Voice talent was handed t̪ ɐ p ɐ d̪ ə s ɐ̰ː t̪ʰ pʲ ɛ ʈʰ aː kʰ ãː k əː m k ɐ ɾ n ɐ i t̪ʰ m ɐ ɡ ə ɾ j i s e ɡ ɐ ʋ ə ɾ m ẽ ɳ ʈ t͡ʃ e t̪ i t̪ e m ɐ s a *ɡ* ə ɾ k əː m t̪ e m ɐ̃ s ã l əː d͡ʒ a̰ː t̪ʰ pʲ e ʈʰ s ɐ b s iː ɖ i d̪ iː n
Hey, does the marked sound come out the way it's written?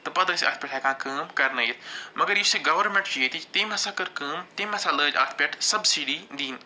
no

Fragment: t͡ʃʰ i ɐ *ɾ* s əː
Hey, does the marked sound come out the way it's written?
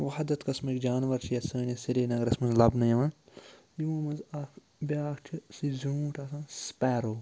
no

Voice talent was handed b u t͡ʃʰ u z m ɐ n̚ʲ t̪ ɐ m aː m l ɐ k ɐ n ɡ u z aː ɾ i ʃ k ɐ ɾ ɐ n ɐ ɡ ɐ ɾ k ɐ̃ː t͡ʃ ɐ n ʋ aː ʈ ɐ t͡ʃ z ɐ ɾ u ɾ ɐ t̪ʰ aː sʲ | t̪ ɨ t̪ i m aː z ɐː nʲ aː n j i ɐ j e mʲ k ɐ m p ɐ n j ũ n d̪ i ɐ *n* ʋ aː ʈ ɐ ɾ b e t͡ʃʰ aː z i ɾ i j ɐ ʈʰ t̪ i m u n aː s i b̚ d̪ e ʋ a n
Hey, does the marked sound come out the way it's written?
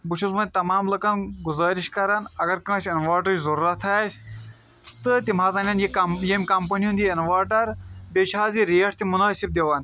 yes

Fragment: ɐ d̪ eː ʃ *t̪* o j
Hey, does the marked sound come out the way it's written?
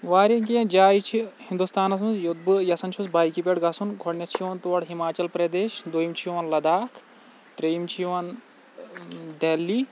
no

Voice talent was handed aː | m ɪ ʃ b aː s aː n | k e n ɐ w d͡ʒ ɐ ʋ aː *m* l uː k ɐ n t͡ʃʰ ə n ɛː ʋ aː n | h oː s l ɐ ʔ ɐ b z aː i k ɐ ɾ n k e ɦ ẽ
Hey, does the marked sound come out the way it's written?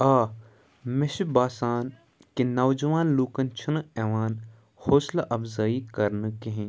no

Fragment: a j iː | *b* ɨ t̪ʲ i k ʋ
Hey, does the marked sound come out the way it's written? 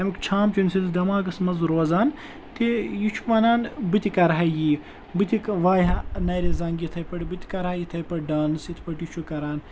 yes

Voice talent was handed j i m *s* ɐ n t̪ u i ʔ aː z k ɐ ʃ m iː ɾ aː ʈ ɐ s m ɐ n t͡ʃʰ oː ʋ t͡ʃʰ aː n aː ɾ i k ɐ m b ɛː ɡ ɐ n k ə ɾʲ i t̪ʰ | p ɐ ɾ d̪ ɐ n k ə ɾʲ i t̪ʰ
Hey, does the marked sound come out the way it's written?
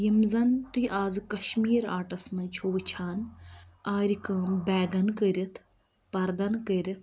no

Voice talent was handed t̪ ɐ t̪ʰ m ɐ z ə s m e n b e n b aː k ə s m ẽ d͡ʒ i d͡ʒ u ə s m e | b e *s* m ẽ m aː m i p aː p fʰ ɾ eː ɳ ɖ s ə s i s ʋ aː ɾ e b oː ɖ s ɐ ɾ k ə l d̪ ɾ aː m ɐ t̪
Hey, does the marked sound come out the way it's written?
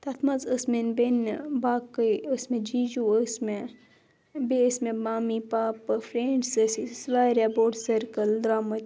yes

